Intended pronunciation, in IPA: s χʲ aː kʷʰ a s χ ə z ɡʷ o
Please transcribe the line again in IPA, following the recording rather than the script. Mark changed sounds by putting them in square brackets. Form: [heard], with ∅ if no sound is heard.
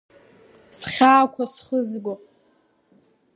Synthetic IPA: s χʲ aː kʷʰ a s χ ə z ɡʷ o